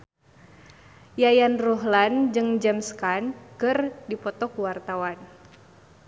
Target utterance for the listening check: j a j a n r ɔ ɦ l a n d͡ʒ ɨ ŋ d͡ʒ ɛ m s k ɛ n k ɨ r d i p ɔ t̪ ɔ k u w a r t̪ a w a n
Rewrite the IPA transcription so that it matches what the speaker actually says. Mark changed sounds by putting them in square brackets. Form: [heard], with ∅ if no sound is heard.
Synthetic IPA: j a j a n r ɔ ɦ l a n d͡ʒ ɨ ŋ d͡ʒ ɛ m s k [a] n k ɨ r d i p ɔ t̪ ɔ k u w a r t̪ a w a n

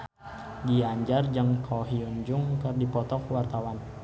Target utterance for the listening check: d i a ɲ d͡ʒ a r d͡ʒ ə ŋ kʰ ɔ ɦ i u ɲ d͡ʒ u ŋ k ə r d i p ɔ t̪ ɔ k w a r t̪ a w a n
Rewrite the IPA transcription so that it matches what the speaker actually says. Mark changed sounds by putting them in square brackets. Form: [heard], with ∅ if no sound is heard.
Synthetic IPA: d i a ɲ d͡ʒ a r d͡ʒ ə ŋ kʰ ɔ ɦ i u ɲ d͡ʒ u ŋ k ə r d i p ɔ t̪ ɔ k w a r t̪ a w a n

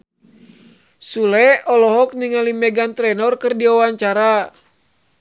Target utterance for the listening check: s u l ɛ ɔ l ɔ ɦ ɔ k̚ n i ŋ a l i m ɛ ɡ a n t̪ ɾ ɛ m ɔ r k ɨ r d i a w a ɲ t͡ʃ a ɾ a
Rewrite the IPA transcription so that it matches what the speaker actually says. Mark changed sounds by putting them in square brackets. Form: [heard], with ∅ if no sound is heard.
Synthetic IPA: s u l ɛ ɔ l ɔ ɦ ɔ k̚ n i ŋ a l i m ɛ ɡ a n t̪ ɾ ɛ [n] ɔ r k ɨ r d i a w a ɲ t͡ʃ a ɾ a

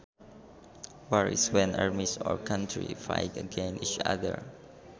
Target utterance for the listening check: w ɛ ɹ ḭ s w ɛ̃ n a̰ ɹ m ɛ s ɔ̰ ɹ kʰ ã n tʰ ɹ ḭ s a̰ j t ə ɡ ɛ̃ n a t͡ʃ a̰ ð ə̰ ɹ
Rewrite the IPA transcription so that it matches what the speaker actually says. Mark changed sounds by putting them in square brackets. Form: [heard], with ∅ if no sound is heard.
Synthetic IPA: w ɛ ɹ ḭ s w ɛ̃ n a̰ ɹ m [i] s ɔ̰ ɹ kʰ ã n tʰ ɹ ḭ [f] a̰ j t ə ɡ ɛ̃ n [i] t͡ʃ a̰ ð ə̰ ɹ

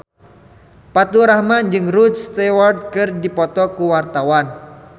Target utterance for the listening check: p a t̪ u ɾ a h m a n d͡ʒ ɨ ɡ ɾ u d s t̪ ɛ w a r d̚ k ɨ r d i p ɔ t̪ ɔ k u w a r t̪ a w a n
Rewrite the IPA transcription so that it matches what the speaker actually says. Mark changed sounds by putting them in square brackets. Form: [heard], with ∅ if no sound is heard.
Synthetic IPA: p a t̪ u ɾ a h m a n d͡ʒ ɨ [ŋ] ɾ u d s t̪ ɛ w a r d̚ k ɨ r d i p ɔ t̪ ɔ k u w a r t̪ a w a n

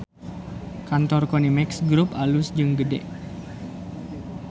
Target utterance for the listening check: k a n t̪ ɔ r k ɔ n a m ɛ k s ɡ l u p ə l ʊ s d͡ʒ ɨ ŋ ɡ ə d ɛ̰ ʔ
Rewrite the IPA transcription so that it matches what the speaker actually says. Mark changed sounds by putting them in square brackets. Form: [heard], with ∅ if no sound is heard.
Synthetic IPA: k a n t̪ ɔ r k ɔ n [i] m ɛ k s ɡ [ɾ] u p [a] l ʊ s d͡ʒ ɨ ŋ ɡ ə d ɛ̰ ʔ

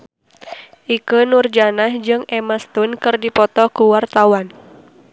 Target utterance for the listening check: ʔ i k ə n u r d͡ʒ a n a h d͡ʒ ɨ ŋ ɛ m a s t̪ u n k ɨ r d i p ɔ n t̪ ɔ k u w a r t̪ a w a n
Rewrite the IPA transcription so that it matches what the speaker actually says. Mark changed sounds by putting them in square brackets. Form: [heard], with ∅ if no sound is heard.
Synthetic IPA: ʔ i k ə n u r d͡ʒ a n a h d͡ʒ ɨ ŋ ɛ m a s t̪ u n k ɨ r d i p ɔ [∅] t̪ ɔ k u w a r t̪ a w a n

